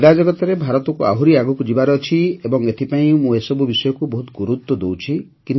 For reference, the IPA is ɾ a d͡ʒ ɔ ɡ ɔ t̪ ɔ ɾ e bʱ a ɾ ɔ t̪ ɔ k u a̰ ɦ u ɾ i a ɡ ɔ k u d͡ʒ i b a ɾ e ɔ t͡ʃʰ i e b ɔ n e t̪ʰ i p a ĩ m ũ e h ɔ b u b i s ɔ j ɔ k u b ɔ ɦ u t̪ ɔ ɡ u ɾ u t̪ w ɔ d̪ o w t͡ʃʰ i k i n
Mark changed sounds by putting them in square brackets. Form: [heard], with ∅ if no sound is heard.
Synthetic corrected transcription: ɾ a d͡ʒ ɔ ɡ ɔ t̪ ɔ ɾ e bʱ a ɾ ɔ t̪ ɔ k u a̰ ɦ u ɾ i a ɡ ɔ k u d͡ʒ i b a ɾ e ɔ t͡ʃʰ i e b ɔ [ŋ] e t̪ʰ i p a ĩ m ũ e [s] ɔ b u b i s ɔ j ɔ k u b ɔ ɦ u t̪ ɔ ɡ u ɾ u t̪ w ɔ d̪ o w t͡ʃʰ i k i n